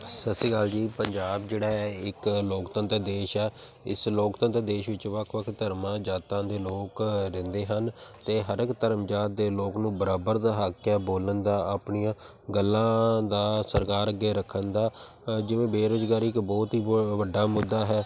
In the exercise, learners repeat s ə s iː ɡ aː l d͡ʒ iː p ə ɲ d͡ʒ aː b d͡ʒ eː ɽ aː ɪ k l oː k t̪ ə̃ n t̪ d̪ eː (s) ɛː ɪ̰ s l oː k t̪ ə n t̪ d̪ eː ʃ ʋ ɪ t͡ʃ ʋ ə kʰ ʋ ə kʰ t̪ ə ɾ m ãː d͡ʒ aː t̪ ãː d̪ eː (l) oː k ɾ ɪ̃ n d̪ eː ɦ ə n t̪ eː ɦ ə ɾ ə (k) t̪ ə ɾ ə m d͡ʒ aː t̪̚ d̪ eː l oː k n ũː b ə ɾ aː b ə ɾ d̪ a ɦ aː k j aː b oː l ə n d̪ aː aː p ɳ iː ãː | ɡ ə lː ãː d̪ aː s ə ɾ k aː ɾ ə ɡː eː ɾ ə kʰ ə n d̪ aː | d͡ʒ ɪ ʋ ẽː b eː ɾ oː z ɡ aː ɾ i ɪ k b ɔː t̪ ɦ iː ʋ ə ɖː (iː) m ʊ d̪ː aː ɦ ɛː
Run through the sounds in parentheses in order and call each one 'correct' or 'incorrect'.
incorrect: ʃ, correct, correct, incorrect: aː

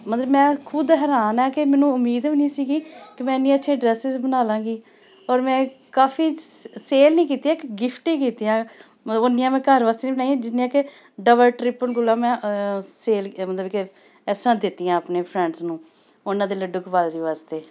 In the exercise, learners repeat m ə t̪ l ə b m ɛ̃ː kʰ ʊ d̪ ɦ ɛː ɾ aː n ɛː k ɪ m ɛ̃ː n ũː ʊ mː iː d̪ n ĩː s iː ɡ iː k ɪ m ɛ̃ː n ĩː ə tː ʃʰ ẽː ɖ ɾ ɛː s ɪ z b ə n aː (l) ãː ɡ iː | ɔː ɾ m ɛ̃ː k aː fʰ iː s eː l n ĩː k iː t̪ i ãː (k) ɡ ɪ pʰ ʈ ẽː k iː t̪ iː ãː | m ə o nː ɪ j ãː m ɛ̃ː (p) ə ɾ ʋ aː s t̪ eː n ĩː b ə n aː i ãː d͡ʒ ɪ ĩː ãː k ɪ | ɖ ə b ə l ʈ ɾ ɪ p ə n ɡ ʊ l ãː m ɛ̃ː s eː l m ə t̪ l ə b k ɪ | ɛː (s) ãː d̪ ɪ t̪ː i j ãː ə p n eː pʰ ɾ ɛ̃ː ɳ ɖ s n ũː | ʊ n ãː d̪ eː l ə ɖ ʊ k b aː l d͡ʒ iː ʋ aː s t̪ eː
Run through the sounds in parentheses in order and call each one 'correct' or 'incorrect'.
correct, correct, incorrect: k, correct

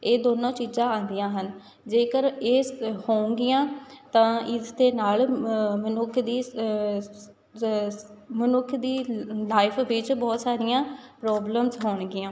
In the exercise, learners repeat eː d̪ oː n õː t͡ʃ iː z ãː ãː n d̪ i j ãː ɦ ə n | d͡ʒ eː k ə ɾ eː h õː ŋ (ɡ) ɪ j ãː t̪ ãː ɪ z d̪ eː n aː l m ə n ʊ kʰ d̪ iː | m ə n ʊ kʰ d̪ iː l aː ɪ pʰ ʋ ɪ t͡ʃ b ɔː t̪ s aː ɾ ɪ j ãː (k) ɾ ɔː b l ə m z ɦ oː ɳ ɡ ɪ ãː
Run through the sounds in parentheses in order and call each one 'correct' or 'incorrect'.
correct, incorrect: p

